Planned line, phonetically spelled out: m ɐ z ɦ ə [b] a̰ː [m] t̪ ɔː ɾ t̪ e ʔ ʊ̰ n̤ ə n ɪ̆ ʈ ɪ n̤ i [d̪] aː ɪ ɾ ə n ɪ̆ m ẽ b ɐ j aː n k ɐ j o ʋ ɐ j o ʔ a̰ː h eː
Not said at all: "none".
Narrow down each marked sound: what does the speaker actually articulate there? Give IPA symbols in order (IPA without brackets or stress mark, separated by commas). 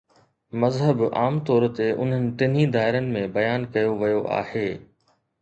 b, m, d̪